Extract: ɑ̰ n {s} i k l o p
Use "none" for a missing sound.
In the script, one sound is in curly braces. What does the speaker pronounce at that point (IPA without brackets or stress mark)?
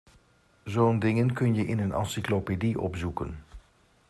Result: s